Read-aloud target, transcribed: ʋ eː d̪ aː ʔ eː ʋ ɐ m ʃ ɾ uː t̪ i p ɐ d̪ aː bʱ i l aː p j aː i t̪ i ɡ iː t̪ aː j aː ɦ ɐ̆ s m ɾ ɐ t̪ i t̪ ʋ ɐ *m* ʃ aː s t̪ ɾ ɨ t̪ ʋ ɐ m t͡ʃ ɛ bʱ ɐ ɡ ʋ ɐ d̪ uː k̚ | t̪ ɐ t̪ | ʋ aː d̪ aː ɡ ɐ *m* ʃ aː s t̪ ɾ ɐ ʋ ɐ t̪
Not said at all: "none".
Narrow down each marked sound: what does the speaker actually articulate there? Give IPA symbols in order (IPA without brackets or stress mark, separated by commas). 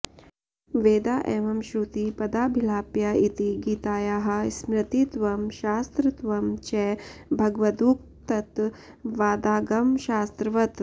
m, m